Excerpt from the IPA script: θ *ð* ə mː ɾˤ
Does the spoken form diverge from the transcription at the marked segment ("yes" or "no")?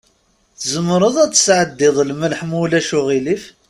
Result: yes